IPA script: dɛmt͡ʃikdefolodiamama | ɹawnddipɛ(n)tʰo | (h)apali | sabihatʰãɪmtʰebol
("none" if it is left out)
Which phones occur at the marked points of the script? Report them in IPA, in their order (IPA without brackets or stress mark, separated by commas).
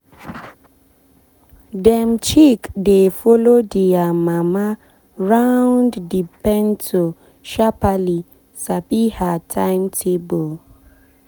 n, ʃ